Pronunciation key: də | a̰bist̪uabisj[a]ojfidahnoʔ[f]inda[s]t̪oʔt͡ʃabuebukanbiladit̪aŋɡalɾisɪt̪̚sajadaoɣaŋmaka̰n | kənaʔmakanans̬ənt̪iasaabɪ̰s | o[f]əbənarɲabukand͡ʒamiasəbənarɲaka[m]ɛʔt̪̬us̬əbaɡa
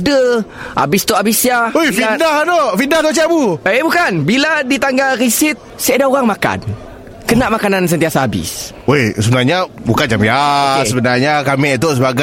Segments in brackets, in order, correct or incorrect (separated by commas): correct, correct, incorrect, incorrect, correct